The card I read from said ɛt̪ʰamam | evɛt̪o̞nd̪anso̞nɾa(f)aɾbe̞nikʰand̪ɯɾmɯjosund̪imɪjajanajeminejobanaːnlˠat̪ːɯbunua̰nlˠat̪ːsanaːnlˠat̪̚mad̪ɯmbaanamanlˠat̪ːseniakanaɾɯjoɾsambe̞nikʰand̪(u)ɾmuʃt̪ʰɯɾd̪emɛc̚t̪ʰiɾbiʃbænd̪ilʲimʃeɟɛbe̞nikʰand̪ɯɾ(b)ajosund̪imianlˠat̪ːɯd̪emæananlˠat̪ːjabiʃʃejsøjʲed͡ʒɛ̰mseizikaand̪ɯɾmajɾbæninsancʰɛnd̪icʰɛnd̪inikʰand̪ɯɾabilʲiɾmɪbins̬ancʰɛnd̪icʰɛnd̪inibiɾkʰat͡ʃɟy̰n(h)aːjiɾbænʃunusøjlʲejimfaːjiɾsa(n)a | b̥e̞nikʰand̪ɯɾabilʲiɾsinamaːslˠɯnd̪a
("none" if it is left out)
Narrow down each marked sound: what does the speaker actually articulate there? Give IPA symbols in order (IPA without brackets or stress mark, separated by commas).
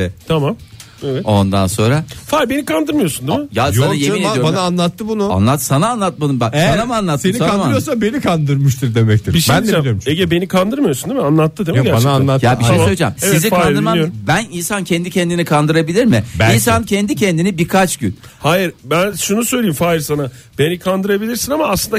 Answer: f, ɯ, m, h, n